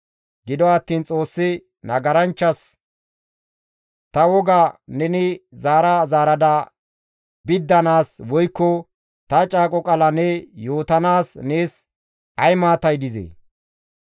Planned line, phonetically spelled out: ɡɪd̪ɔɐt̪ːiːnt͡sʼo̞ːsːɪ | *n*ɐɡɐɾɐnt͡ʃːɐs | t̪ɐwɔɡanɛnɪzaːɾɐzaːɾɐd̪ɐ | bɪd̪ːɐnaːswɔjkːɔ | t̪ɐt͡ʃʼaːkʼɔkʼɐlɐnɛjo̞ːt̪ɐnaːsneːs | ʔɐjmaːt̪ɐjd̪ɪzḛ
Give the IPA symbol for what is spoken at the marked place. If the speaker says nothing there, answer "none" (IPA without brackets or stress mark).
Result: n